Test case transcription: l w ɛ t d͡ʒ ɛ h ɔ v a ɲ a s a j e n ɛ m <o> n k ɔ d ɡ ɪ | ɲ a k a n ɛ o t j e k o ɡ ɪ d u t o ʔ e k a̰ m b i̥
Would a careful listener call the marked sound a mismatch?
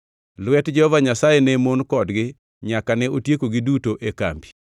no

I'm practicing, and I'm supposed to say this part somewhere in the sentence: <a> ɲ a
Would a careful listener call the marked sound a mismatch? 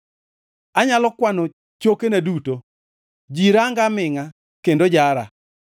no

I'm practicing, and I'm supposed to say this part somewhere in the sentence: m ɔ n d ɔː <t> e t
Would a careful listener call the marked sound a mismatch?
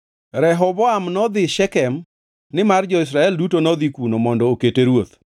yes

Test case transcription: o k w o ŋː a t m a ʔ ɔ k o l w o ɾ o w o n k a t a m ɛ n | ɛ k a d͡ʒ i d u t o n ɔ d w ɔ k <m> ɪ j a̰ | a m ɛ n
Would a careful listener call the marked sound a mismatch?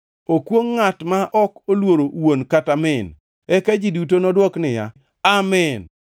yes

